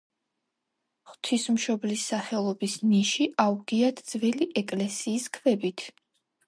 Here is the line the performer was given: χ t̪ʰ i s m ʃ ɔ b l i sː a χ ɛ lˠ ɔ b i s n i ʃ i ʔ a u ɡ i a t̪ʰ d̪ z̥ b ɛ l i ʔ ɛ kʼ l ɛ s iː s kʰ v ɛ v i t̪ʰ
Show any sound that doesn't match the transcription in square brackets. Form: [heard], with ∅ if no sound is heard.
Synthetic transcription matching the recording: χ t̪ʰ i s m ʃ ɔ b l i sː a χ ɛ lˠ ɔ b i s n i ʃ i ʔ a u ɡ i a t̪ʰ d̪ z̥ [v] ɛ l i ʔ ɛ kʼ l ɛ s iː s kʰ v ɛ [b] i t̪ʰ